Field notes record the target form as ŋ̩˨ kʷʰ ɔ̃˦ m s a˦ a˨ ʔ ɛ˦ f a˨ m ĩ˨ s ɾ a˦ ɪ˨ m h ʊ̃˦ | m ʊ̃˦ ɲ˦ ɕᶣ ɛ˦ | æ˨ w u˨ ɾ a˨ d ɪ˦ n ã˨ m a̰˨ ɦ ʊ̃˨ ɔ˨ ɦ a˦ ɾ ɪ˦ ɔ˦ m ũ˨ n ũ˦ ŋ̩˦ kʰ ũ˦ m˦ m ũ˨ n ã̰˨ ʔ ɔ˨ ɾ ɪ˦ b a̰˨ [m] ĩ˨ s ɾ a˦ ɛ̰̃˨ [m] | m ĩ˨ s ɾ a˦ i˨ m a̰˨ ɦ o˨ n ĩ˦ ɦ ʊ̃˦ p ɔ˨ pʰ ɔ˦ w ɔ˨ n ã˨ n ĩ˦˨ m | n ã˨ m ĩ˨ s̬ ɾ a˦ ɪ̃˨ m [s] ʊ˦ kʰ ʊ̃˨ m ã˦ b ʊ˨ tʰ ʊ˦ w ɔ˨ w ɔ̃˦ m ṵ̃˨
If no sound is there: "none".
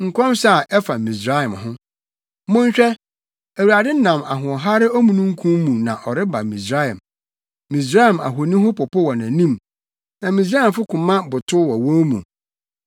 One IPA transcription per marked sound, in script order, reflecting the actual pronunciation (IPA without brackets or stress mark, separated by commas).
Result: m, m, f